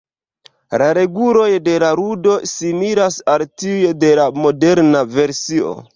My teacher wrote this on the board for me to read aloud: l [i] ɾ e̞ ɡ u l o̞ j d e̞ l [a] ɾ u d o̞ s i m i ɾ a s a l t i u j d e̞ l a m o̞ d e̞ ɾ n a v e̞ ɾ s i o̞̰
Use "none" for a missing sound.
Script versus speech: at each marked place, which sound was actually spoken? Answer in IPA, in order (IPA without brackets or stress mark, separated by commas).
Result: a, a